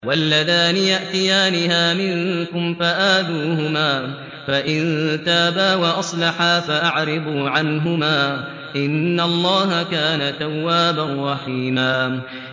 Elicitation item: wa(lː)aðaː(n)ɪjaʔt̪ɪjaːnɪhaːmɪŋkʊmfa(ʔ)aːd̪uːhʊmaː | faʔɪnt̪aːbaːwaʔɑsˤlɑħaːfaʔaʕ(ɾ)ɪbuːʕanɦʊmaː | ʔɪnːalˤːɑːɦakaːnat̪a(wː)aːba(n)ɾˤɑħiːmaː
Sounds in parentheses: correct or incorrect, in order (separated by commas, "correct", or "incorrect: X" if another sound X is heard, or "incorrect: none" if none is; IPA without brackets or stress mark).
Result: correct, correct, correct, correct, correct, correct